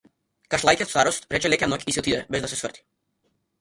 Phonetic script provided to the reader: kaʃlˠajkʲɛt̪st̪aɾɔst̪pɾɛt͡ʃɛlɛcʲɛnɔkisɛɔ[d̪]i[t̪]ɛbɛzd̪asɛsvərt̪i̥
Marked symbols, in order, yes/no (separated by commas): no, no